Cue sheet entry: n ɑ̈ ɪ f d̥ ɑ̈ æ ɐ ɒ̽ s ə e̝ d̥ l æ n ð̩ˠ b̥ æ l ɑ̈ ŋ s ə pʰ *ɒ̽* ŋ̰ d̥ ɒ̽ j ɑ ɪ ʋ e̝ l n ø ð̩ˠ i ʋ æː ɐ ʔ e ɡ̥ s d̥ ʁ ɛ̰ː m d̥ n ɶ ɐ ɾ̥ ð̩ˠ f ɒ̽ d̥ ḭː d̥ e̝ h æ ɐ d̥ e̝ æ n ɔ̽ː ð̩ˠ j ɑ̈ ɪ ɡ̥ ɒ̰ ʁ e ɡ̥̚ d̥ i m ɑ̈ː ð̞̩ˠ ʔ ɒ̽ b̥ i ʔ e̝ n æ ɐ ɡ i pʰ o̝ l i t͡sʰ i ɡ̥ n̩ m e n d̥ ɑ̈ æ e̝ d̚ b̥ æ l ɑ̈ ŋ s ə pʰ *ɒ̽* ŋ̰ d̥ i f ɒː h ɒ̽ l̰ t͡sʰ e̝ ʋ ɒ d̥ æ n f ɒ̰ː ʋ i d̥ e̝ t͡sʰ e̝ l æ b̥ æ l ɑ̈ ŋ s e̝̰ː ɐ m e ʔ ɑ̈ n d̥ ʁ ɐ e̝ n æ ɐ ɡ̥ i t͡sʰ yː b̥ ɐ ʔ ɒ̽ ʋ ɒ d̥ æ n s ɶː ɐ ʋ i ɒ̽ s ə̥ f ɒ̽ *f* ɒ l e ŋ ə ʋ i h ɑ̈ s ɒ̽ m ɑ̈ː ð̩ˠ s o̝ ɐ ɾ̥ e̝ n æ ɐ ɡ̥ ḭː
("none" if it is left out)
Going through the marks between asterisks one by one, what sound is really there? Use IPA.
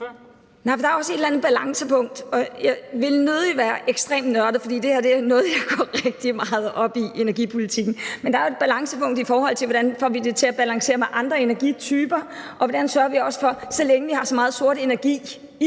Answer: ɔ̽, ɔ̽, s

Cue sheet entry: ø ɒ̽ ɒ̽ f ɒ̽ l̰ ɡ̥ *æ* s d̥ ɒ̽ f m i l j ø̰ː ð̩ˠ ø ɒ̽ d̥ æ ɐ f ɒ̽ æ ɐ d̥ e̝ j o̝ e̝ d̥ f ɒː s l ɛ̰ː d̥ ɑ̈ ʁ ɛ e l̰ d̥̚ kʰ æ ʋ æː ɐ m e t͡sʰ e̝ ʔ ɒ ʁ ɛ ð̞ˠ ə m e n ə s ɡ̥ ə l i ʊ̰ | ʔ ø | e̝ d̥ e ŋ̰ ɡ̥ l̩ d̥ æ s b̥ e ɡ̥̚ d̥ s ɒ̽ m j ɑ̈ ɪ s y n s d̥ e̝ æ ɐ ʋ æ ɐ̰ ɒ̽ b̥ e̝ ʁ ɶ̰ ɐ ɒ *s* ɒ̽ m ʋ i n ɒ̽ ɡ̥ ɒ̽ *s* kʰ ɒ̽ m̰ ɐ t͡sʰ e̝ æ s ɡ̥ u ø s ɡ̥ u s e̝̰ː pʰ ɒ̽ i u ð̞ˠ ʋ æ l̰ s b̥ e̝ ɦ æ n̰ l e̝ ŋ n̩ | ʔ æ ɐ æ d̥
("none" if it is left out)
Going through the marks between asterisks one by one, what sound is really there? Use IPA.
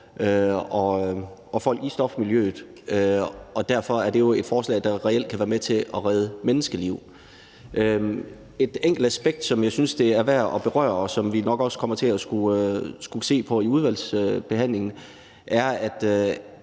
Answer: i, s, s

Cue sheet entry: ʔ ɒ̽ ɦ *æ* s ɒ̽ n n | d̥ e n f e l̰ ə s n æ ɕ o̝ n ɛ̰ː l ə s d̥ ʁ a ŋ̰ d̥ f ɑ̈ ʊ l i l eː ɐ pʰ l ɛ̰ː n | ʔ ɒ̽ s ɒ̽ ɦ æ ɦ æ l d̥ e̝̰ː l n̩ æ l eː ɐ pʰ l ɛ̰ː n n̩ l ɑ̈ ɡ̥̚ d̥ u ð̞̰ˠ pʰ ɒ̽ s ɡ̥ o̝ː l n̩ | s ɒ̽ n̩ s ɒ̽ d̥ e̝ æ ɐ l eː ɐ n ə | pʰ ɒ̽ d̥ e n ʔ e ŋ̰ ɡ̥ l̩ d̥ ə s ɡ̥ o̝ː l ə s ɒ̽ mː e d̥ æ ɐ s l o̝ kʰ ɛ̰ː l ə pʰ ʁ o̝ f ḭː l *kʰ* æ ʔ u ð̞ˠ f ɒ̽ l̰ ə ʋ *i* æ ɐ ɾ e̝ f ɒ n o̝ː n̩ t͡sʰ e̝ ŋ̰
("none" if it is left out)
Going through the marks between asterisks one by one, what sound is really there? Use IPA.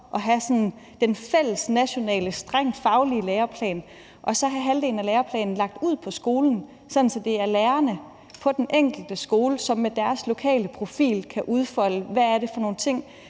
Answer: æ, kʰ, æ

